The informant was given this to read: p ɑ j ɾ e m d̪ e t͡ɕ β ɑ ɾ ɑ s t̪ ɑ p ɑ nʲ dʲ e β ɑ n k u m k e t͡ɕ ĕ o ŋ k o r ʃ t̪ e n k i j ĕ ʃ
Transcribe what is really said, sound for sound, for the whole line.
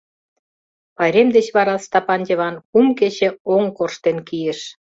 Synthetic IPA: p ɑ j ɾ e m d̪ e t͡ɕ β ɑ ɾ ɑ s t̪ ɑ p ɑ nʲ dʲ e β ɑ n k u m k e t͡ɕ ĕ o ŋ k o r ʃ t̪ e n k i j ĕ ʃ